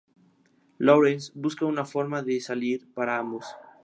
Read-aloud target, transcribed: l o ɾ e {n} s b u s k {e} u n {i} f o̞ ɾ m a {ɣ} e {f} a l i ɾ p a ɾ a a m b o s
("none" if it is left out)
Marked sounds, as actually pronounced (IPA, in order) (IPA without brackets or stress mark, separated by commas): n, a, a, ð, s